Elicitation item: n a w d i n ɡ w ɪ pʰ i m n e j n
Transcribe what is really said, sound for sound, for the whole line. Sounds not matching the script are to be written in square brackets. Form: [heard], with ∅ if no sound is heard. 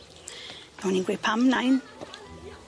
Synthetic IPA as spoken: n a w [n] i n ɡ w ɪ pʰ [a] m n [a] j n